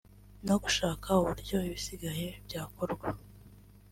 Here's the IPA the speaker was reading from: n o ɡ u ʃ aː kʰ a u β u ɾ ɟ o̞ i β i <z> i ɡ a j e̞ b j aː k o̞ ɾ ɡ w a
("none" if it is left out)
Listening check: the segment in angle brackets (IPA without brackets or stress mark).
s